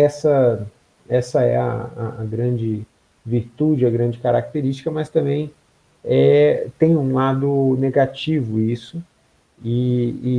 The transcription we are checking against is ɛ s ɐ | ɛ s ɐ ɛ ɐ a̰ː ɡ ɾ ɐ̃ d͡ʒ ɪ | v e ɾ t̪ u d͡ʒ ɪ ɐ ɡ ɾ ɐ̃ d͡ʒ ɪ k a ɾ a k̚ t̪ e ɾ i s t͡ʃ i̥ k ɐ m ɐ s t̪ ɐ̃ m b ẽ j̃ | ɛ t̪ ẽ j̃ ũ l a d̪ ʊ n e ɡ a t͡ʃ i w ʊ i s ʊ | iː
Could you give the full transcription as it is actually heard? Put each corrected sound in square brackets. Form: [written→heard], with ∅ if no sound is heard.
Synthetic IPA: ɛ s ɐ | ɛ s ɐ ɛ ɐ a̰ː ɡ ɾ ɐ̃ d͡ʒ ɪ | v [e→i] ɾ t̪ u d͡ʒ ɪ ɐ ɡ ɾ ɐ̃ d͡ʒ ɪ k a ɾ a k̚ t̪ e ɾ i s t͡ʃ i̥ k ɐ m ɐ s t̪ ɐ̃ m b ẽ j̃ | ɛ t̪ ẽ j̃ ũ l a d̪ ʊ n e ɡ a t͡ʃ i [w→v] ʊ i s ʊ | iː